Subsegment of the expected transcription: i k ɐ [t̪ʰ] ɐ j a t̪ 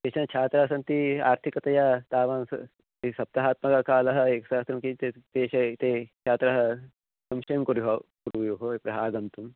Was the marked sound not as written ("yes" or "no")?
yes